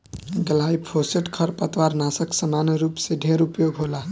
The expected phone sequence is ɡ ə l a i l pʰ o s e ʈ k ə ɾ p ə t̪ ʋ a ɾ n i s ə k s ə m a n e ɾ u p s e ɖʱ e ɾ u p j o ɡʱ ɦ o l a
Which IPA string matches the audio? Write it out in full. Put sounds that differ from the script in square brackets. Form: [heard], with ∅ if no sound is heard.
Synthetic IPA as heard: ɡ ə l a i [∅] pʰ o s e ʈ [kʰ] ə ɾ p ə t̪ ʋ a ɾ n [a] s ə k s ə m a n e ɾ u p s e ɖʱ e ɾ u p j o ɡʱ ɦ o l a